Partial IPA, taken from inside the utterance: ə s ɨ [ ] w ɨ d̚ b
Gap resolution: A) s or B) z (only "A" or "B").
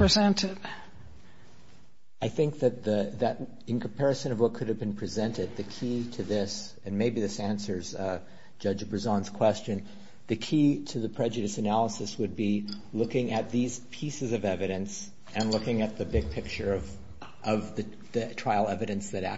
A